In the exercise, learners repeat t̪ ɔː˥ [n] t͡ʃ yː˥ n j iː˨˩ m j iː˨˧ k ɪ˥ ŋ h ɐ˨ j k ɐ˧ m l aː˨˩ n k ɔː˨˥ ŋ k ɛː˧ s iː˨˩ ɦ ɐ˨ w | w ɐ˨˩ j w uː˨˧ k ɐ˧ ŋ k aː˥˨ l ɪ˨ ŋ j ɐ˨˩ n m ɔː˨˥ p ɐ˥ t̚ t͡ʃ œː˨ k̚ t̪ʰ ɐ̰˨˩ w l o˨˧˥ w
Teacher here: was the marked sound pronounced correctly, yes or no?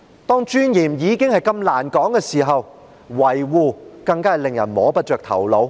no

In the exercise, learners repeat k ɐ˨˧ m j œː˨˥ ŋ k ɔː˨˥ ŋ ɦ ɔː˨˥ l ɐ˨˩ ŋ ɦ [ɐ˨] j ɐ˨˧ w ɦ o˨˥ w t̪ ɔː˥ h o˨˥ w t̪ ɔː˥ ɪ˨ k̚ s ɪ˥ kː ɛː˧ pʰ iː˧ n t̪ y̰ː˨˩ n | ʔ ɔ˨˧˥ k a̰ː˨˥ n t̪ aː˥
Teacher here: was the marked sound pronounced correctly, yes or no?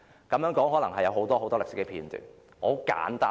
yes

